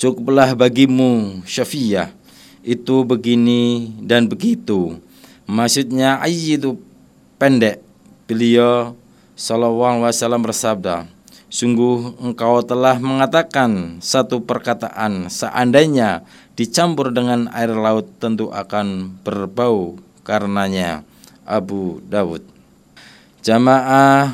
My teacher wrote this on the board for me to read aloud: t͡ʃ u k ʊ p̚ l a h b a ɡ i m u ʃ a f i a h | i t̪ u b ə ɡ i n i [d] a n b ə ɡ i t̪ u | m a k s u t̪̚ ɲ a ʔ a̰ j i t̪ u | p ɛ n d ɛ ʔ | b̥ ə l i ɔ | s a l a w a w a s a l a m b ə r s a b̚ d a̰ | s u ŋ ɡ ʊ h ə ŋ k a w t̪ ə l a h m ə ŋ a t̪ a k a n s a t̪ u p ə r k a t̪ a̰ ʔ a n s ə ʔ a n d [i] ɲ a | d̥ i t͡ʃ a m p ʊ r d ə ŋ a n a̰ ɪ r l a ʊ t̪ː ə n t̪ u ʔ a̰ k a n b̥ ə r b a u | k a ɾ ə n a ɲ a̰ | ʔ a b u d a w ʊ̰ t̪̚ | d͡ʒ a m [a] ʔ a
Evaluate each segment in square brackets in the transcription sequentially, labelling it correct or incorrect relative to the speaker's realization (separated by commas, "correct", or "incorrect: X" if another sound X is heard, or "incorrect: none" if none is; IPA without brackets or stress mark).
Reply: correct, incorrect: a, correct